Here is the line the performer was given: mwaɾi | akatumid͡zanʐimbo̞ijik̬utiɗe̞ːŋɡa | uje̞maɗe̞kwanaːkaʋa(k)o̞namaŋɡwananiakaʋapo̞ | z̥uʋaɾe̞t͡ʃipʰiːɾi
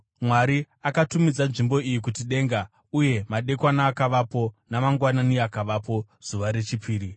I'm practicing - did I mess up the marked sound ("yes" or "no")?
yes